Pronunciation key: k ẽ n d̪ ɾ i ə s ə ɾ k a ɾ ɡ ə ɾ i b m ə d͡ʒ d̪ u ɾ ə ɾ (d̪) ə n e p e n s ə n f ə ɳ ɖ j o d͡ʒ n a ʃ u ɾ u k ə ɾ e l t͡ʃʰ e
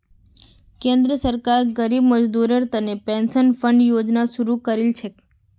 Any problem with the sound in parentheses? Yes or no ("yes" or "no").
yes